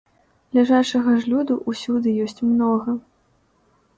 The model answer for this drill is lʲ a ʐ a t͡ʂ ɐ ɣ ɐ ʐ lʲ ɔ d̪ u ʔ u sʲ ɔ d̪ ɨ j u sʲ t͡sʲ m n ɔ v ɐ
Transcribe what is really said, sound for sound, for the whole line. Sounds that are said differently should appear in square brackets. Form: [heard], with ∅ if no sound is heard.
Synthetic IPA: lʲ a ʐ a t͡ʂ ɐ ɣ ɐ ʐ lʲ [u] d̪ u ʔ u sʲ [u] d̪ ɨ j [ɔ] sʲ t͡sʲ m n ɔ [ɣ] ɐ